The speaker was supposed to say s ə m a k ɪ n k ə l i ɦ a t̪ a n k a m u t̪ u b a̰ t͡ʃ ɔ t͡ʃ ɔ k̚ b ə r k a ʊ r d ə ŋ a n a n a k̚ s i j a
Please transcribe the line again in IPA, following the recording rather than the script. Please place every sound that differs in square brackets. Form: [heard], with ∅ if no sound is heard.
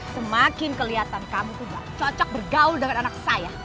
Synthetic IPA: s ə m a k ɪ n k ə l i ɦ a t̪ a n k a m u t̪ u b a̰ t͡ʃ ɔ t͡ʃ ɔ k̚ b ə r [ɡ] a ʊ [l] d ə ŋ a n a n a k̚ s [a] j a